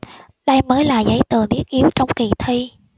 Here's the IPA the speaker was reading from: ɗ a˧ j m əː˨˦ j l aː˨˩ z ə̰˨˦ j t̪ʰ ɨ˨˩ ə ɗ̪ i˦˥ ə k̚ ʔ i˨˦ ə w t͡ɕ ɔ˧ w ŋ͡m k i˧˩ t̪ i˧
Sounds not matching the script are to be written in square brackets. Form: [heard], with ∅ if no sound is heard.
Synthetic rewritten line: ɗ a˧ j m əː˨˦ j l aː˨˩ z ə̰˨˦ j [t̪] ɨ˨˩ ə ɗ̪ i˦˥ ə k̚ ʔ i˨˦ ə w t͡ɕ ɔ˧ w ŋ͡m k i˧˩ [t̪ʰ] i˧